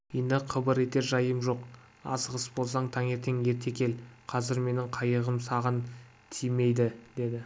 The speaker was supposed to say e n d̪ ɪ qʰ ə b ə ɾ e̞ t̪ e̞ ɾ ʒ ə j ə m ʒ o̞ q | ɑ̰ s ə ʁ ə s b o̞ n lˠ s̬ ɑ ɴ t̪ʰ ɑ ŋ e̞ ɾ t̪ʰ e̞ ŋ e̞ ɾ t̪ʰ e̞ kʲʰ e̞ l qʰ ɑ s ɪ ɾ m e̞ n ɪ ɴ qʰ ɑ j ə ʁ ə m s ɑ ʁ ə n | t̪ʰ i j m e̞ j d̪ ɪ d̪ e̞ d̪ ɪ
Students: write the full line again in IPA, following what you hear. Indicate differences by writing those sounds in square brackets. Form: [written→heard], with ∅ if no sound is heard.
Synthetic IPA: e n d̪ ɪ qʰ ə b ə ɾ e̞ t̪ e̞ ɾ ʒ [ə→ɑ] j ə m ʒ o̞ q | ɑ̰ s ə ʁ ə s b o̞ [n→∅] lˠ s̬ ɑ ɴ t̪ʰ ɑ ŋ e̞ ɾ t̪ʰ e̞ ŋ e̞ ɾ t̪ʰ e̞ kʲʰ e̞ l qʰ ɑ [s→z] ɪ ɾ m e̞ n ɪ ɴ qʰ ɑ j ə ʁ ə m s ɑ ʁ ə n | t̪ʰ i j m e̞ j d̪ ɪ d̪ e̞ d̪ ɪ